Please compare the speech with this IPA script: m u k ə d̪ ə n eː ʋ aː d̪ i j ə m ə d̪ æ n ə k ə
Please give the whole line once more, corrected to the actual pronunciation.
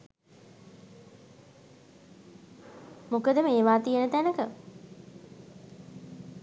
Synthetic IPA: m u k ə d̪ ə m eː ʋ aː t̪ i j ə n ə t̪ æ n ə k ə